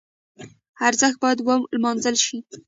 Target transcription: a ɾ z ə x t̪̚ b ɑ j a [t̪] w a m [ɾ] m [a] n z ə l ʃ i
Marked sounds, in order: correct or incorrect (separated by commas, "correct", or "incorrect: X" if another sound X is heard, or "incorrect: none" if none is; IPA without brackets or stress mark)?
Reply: incorrect: d̪, incorrect: l, incorrect: ɑ